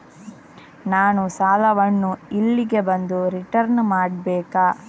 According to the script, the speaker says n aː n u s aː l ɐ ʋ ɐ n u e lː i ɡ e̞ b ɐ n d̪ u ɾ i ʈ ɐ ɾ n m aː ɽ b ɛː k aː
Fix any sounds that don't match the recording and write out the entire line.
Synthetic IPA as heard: n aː n u s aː l ɐ ʋ ɐ nː u i lː i ɡ e̞ b ɐ n d̪ u ɾ i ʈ ɐ ɾ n m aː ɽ b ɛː k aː